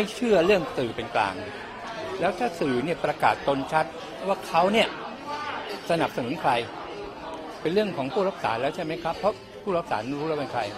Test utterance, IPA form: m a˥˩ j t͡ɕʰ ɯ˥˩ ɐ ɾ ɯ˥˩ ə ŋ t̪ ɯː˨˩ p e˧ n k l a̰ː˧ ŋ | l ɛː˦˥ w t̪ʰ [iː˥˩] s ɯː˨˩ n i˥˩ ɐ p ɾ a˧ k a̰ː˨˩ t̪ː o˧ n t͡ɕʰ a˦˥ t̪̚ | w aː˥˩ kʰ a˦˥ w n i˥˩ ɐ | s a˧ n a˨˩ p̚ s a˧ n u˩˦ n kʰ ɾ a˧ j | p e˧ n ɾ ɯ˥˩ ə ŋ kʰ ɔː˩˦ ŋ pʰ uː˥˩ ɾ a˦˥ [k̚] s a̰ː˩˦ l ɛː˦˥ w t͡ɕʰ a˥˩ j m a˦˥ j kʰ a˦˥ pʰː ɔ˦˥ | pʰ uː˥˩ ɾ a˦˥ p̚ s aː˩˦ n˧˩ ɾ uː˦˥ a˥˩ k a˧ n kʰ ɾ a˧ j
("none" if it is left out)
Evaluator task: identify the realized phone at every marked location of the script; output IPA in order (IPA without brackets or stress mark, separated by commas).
aː˥˩, p̚